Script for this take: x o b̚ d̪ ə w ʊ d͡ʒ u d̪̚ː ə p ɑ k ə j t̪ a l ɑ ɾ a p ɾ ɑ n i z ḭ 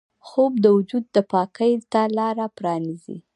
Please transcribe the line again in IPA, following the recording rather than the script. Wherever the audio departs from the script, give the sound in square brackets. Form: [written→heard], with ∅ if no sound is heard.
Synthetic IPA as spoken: x o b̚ d̪ ə w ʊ d͡ʒ u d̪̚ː ə p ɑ k ə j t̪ a l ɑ ɾ a p ɾ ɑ n i z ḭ